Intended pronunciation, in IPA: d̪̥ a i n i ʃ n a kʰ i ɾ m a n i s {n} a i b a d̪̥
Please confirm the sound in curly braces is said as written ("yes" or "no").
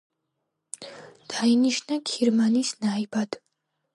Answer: yes